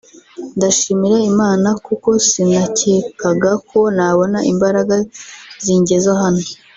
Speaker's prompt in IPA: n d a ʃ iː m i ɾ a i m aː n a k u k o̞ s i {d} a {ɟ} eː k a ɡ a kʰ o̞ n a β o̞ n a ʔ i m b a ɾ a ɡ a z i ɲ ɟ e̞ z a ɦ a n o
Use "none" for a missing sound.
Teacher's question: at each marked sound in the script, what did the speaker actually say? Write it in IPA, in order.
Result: n, c

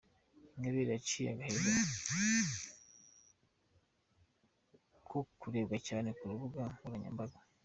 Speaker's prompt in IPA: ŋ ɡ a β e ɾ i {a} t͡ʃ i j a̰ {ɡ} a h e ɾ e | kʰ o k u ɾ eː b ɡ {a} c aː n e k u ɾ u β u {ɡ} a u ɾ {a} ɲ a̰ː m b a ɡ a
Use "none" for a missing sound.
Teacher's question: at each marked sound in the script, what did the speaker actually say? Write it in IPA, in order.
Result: a, ɡ, a, ɡ, a

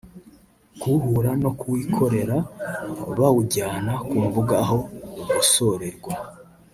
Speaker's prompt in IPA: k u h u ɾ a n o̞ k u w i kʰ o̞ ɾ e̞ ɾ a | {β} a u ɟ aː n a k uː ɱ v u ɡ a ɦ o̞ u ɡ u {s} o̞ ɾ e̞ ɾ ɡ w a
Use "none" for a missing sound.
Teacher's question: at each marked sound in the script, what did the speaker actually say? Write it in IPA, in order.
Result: β, s

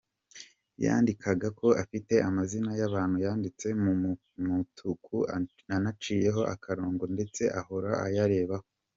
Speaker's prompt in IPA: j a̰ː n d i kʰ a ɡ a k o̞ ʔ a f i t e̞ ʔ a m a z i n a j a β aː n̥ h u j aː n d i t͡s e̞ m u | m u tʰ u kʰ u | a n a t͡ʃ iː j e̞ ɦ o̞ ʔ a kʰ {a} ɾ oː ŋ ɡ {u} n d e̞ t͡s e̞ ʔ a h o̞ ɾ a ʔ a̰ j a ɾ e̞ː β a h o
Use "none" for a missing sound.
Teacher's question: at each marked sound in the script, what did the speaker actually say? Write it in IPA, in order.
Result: a, o

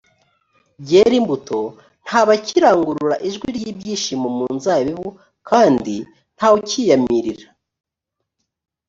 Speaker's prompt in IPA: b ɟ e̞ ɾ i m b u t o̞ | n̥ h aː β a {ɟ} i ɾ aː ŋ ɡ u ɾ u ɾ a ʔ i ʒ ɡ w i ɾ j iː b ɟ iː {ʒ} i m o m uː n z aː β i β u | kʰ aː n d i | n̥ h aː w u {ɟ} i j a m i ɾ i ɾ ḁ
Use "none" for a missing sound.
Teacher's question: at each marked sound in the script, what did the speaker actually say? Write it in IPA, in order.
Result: c, ʃ, c

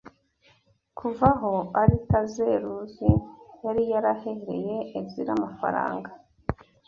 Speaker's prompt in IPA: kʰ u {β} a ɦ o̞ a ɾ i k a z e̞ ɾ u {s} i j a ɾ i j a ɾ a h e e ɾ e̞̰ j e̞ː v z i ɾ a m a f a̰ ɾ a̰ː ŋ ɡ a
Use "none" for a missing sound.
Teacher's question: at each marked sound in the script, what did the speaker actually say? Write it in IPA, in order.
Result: v, z

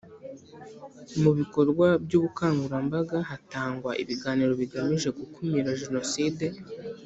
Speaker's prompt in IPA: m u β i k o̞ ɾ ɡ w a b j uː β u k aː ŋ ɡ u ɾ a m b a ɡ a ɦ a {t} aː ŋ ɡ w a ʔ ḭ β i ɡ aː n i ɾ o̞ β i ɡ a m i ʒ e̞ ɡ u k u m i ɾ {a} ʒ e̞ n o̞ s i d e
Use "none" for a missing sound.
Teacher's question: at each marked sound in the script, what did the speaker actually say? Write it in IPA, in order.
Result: t, a

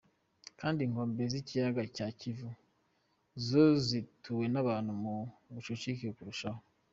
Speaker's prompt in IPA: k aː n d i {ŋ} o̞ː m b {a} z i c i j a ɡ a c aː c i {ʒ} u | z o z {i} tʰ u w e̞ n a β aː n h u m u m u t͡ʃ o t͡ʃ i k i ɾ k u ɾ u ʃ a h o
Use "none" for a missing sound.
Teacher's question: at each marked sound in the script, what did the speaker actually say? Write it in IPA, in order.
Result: ŋ, e, v, i

